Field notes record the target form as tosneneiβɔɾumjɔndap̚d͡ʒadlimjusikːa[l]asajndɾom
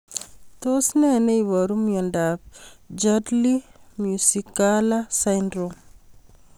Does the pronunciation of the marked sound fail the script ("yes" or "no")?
no